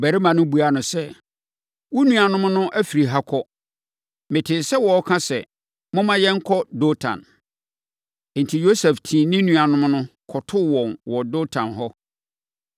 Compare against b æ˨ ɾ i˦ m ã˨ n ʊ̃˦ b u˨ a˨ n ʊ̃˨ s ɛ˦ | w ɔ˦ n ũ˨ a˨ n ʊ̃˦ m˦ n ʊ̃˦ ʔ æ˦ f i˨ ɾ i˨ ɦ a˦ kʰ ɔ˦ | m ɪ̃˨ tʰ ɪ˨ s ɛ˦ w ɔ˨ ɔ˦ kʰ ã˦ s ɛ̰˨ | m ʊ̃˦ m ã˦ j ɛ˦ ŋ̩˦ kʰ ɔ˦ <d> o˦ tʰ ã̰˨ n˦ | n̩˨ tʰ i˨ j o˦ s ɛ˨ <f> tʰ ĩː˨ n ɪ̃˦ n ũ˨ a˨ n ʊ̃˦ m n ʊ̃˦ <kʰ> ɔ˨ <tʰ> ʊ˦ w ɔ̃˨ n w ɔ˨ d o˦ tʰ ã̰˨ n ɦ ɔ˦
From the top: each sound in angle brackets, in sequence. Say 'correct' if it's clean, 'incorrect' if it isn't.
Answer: correct, correct, correct, correct

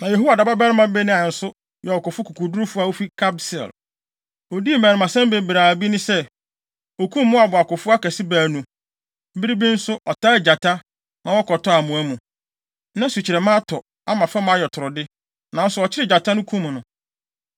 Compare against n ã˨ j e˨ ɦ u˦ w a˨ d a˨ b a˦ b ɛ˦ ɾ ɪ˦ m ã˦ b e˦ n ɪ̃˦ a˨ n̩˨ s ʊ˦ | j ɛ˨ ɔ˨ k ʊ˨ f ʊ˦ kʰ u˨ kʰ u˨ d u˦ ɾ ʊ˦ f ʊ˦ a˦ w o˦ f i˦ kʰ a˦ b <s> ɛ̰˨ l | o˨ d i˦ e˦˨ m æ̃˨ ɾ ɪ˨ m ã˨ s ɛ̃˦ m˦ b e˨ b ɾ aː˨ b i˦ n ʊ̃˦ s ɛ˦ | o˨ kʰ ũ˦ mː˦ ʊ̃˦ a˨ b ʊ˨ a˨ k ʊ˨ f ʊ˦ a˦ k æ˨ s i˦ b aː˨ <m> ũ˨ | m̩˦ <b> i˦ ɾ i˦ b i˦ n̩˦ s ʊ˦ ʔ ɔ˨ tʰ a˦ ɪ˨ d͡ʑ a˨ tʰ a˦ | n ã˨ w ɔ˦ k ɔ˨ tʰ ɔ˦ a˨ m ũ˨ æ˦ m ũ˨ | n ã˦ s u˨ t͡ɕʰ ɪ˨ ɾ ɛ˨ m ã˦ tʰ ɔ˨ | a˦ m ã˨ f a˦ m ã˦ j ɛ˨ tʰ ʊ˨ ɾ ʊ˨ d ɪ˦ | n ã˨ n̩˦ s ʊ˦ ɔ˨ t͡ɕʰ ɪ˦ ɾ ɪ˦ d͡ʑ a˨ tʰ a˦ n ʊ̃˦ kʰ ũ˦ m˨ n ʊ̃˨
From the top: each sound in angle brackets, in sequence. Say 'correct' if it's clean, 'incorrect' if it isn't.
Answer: correct, incorrect: n, correct

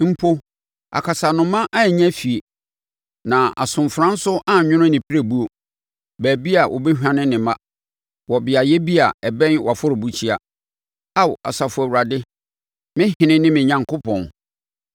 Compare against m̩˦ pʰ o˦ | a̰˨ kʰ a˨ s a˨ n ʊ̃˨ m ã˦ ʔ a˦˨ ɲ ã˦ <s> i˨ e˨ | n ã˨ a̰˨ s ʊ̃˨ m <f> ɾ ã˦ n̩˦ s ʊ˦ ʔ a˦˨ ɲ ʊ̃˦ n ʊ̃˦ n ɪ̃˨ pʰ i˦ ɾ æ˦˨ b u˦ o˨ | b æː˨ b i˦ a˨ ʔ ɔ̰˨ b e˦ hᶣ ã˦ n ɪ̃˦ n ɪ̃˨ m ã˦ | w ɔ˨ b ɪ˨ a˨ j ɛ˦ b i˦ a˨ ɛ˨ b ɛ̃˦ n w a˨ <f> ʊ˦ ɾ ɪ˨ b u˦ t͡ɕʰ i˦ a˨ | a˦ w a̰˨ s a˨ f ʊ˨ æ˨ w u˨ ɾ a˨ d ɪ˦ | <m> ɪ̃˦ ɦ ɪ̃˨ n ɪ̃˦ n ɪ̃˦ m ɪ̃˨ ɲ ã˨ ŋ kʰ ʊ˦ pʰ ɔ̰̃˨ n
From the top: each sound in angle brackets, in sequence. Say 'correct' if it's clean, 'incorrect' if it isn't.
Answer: incorrect: f, correct, correct, correct

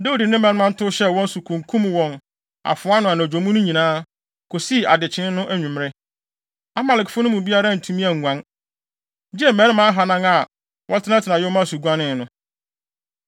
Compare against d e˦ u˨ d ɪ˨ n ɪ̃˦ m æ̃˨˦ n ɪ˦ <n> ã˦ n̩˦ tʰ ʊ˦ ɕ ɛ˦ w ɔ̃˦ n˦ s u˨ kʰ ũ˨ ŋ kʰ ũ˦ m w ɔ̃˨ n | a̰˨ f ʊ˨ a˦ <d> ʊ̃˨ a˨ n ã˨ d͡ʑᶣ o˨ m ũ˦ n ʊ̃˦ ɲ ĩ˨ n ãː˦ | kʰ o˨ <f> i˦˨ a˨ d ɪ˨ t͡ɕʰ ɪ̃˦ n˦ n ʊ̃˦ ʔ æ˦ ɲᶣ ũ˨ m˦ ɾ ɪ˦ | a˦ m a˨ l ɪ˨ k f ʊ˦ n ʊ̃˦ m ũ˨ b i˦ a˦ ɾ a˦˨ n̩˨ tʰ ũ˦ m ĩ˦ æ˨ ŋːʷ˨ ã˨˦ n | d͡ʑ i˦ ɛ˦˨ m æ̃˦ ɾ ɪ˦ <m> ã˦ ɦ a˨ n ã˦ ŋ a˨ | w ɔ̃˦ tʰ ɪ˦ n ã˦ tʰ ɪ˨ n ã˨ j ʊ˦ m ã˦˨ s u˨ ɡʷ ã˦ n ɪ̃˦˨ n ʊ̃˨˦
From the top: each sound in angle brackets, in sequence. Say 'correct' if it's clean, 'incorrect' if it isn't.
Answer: incorrect: m, incorrect: n, incorrect: s, correct

